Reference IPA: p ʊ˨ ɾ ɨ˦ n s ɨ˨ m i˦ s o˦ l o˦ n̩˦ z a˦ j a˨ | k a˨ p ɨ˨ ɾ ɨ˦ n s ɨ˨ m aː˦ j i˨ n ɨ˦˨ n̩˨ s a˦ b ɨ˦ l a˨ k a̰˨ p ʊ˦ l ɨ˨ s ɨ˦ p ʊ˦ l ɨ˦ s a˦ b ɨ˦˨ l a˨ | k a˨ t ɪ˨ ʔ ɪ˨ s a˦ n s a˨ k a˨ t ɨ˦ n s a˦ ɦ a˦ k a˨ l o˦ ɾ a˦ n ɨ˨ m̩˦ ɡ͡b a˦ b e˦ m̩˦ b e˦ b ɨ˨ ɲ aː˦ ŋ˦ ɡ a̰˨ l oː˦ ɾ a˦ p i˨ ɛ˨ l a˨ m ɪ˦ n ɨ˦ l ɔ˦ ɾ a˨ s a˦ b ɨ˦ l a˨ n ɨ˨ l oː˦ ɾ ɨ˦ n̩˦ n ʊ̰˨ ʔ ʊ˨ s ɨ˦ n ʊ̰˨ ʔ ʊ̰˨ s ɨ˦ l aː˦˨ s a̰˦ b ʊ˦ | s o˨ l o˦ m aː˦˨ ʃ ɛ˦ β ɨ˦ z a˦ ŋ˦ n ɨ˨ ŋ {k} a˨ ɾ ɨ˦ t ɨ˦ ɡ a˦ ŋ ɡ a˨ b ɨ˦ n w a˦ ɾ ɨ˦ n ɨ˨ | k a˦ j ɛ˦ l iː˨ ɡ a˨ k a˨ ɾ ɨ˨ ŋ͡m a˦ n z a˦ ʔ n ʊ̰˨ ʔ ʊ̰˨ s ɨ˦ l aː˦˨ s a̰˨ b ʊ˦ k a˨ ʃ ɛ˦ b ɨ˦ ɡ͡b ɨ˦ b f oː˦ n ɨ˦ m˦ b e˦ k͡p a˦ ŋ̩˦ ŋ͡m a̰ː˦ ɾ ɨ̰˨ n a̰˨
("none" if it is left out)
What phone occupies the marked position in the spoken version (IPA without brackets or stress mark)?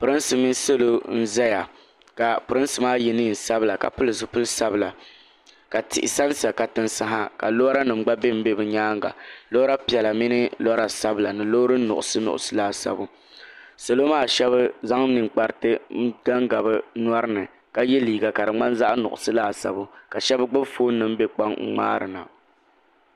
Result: k͡p